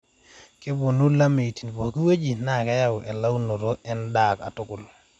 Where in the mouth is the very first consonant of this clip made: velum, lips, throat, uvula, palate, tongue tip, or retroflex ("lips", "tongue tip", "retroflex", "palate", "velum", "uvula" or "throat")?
velum